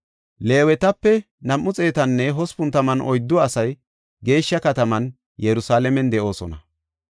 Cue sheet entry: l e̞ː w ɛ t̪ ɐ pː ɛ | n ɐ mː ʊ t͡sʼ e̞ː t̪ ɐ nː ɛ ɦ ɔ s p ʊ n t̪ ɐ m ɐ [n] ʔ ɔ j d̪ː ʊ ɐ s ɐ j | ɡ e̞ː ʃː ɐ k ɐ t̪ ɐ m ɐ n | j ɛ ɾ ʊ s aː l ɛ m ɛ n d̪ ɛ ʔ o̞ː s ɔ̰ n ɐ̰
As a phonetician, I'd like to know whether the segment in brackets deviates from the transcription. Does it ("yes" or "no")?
no